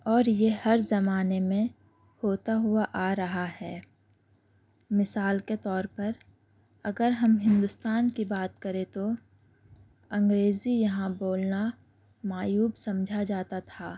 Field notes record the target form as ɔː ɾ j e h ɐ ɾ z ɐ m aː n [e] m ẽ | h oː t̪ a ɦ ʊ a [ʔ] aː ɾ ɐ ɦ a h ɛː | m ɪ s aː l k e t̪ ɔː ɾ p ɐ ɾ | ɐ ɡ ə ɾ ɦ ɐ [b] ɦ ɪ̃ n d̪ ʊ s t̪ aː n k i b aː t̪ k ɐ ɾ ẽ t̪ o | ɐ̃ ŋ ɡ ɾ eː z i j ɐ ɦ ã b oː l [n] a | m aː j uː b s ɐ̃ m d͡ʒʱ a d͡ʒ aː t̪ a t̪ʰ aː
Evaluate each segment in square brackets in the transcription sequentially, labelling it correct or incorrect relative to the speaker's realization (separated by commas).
correct, correct, incorrect, correct